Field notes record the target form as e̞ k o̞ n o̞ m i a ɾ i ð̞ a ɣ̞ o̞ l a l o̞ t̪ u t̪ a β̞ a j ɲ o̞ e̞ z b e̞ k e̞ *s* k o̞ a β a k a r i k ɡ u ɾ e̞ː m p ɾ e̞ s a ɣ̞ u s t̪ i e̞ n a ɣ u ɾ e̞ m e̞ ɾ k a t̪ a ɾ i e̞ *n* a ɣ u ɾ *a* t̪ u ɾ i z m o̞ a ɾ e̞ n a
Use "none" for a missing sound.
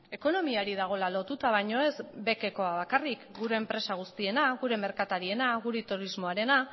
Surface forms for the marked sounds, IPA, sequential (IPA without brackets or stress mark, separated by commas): none, n, e